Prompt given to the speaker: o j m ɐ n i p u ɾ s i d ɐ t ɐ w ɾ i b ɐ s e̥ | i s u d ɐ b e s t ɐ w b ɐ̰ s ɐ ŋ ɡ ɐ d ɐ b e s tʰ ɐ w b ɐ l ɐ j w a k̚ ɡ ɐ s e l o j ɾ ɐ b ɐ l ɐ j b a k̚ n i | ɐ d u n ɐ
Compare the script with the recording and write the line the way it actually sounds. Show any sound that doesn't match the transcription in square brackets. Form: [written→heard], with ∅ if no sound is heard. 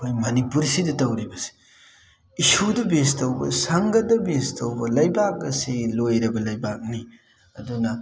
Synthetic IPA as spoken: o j m ɐ n i p u ɾ s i d ɐ t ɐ w ɾ i b ɐ s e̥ | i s u d ɐ b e s t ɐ w b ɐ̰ s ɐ ŋ ɡ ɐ d ɐ b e s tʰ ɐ w b ɐ l ɐ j [w→b] a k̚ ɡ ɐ s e l o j ɾ ɐ b ɐ l ɐ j b a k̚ n i | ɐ d u n ɐ